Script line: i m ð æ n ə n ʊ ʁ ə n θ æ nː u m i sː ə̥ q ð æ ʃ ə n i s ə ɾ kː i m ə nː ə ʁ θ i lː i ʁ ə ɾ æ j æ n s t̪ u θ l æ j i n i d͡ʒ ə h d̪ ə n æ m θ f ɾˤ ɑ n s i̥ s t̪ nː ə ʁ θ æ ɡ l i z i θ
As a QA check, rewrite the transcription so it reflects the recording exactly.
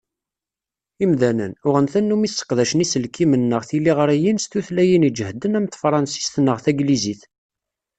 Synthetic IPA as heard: i m ð æ n ə n ʊ ʁ ə n θ æ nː u m i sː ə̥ q ð æ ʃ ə n i s ə l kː i m ə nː ə ʁ θ i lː i ʁ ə ɾ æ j i n s t̪ u θ l æ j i n i d͡ʒ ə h d̪ ə n æ m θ f ɾˤ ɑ n s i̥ s t̪ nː ə ʁ θ æ ɡ l i z i θ